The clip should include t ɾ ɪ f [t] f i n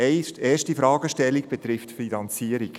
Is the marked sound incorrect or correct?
correct